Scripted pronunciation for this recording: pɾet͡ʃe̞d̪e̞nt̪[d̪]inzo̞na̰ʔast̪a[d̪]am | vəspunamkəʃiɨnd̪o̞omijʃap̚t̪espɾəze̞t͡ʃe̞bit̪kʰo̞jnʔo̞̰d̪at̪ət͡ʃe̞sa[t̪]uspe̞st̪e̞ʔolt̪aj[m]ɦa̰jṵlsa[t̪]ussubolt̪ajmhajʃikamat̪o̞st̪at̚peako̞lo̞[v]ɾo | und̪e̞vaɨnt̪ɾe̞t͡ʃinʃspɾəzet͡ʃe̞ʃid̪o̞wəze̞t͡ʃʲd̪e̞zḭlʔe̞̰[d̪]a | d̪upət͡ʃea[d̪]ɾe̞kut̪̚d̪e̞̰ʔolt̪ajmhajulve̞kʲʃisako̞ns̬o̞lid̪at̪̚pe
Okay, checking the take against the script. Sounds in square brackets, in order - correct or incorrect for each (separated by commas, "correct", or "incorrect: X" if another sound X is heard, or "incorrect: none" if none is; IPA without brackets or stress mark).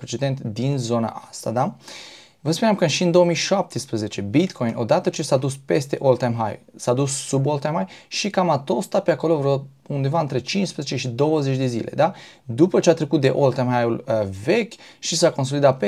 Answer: correct, correct, incorrect: d̪, correct, incorrect: d̪, correct, correct, incorrect: t̪